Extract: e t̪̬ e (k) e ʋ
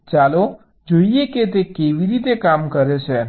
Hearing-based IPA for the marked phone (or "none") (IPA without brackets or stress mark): k